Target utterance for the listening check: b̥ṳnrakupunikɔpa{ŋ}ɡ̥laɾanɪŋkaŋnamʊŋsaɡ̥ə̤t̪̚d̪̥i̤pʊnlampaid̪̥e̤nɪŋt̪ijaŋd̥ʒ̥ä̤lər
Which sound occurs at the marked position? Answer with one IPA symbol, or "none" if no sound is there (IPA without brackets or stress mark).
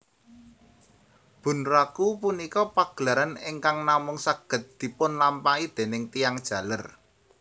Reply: none